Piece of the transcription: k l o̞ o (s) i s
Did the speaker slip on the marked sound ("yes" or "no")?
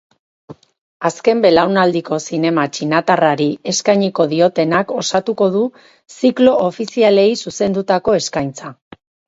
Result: yes